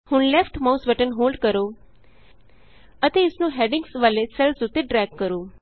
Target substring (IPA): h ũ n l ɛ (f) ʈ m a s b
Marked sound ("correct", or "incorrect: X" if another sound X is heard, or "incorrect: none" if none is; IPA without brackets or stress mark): correct